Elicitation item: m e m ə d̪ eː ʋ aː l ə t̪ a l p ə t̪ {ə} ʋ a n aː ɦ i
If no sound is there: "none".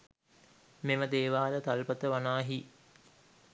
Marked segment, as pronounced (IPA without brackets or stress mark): ə